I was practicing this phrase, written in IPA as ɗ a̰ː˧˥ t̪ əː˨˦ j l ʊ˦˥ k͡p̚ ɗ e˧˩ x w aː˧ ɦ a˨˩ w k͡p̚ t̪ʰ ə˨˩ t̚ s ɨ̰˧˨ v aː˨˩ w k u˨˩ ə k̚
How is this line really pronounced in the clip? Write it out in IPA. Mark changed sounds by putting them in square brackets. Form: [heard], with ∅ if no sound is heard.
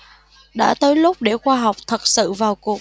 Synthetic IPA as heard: ɗ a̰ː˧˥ t̪ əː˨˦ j l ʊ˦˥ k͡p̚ ɗ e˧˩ x w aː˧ ɦ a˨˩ w k͡p̚ t̪ʰ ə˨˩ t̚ s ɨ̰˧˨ v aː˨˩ w k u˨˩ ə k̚